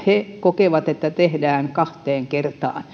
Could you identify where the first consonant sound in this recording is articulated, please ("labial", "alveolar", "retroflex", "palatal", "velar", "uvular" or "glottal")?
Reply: glottal